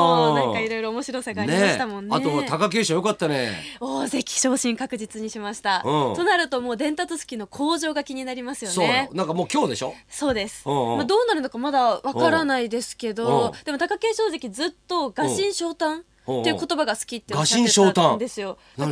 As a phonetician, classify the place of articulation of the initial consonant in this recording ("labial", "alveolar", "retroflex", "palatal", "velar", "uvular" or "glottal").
velar